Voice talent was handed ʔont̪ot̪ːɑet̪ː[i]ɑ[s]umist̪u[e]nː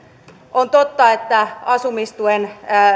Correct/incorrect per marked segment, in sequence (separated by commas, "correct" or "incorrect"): incorrect, correct, correct